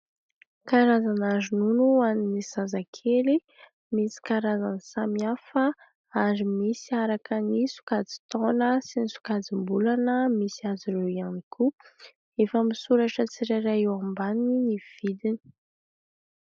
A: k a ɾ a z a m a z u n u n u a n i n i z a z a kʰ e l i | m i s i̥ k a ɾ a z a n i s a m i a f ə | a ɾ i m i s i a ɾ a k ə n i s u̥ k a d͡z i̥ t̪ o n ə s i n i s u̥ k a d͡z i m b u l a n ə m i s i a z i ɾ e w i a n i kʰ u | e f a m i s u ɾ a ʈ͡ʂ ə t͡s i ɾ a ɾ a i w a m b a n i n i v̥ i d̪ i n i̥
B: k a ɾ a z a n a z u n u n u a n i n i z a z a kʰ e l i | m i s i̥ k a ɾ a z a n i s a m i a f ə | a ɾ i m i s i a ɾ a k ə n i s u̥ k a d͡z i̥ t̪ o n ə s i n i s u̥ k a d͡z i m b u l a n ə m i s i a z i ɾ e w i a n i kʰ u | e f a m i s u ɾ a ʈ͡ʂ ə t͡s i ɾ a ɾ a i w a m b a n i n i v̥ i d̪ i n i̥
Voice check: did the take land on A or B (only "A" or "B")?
B